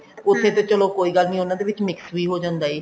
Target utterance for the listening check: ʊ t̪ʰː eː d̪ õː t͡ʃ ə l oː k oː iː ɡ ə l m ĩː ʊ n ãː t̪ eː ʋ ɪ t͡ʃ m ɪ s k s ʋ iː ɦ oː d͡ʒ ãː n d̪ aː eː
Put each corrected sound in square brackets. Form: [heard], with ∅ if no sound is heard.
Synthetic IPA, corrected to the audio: ʊ t̪ʰː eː [t̪] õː t͡ʃ ə l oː k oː iː ɡ ə l [n] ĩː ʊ n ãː [d̪] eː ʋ ɪ t͡ʃ m ɪ [∅] k s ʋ iː ɦ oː d͡ʒ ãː n d̪ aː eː